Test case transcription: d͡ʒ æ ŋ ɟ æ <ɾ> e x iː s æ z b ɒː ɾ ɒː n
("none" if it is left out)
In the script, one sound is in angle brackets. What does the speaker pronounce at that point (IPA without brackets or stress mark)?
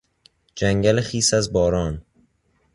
l